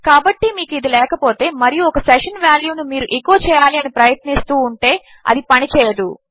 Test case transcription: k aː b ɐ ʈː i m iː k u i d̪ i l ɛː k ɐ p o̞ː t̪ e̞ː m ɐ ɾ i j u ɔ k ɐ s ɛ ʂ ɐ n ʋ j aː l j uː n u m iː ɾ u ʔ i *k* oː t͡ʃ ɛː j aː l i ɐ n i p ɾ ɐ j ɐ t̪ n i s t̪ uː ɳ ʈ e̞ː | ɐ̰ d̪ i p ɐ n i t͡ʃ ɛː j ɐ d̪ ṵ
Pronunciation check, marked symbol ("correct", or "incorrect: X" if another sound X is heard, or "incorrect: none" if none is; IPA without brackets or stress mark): correct